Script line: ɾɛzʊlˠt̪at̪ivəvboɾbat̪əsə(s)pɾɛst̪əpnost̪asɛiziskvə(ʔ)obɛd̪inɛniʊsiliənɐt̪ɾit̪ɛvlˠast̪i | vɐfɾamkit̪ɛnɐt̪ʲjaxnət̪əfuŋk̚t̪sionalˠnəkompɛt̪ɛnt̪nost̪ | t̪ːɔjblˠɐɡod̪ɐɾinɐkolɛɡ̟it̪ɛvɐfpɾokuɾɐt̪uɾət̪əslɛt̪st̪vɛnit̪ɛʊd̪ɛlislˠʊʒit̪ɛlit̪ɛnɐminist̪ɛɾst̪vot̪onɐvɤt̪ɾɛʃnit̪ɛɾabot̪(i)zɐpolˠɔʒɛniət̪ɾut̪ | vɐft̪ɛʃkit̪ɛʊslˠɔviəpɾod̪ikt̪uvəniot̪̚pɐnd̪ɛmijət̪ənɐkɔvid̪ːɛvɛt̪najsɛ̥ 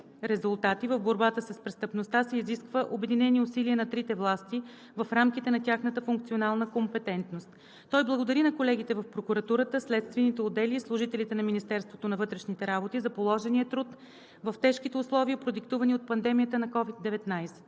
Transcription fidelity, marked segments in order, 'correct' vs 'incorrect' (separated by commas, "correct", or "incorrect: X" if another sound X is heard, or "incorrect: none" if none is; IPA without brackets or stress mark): correct, correct, correct